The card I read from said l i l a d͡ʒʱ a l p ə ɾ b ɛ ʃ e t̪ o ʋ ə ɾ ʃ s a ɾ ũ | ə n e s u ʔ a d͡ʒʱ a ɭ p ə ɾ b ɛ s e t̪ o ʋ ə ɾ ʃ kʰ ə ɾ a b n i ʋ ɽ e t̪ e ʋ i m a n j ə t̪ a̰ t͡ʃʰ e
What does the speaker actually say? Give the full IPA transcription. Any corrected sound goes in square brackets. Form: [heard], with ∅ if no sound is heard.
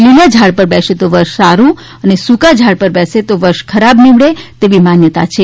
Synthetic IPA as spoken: l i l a d͡ʒʱ a [ɽ] p ə ɾ b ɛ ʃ e t̪ o ʋ ə ɾ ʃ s a ɾ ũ | ə n e s u [k] a d͡ʒʱ a [ɽ] p ə ɾ b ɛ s e t̪ o ʋ ə ɾ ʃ kʰ ə ɾ a b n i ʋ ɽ e t̪ e ʋ i m a n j ə t̪ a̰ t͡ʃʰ e

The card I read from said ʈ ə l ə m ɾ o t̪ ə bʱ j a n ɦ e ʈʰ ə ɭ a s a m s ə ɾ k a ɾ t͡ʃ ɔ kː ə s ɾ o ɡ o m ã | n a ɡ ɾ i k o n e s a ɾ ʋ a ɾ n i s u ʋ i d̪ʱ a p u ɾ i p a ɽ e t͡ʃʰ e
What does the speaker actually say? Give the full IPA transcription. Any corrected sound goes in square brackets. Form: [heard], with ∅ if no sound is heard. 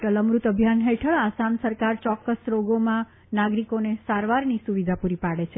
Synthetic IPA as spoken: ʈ ə l ə m ɾ [u] t̪ ə bʱ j a n ɦ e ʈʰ ə ɭ a s a m s ə ɾ k a ɾ t͡ʃ ɔ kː ə s ɾ o ɡ o m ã | n a ɡ ɾ i k o n e s a ɾ ʋ a ɾ n i s u ʋ i d̪ʱ a p u ɾ i p a ɽ e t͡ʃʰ e

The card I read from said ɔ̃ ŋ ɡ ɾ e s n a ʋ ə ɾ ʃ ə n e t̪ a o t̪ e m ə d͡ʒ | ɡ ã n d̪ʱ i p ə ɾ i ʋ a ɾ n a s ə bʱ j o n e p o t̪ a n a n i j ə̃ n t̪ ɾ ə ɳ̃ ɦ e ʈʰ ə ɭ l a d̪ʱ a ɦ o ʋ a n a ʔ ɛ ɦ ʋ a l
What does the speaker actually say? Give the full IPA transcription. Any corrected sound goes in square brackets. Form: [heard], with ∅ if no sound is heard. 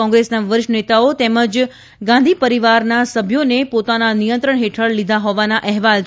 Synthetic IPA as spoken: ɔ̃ ŋ ɡ ɾ e s n a ʋ ə ɾ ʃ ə n e t̪ a o t̪ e m ə d͡ʒ | ɡ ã n d̪ʱ i p ə ɾ i ʋ a ɾ n a s ə bʱ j o n e p o t̪ a n a n i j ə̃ n t̪ ɾ ə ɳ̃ ɦ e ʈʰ ə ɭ l [i] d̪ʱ a ɦ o ʋ a n a ʔ ɛ ɦ ʋ a l

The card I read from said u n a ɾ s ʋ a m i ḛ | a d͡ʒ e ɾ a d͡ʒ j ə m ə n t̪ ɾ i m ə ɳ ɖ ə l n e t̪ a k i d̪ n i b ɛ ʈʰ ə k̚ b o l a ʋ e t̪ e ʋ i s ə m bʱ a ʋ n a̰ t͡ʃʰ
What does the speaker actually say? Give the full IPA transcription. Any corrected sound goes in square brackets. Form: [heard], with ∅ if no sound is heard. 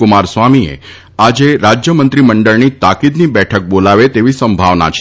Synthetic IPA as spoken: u [m] a ɾ s ʋ a m i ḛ | a d͡ʒ e ɾ a d͡ʒ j ə m ə n t̪ ɾ i m ə ɳ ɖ ə [ɭ] n [i] t̪ a k i d̪ n i b ɛ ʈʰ ə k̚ b o l a ʋ e t̪ e ʋ i s ə m bʱ a ʋ n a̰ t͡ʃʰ

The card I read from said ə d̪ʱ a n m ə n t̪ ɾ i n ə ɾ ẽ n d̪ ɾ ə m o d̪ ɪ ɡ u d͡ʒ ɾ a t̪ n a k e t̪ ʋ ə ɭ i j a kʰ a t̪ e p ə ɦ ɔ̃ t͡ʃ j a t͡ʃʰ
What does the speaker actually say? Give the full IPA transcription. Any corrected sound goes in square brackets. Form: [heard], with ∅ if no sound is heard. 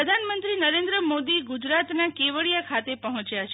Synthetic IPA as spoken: ə d̪ʱ a n m ə n t̪ ɾ i n ə ɾ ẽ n d̪ ɾ ə m o d̪ [i] ɡ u d͡ʒ ɾ a t̪ n a k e [∅] ʋ ə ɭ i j a kʰ a t̪ e p ə ɦ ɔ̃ t͡ʃ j a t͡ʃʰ

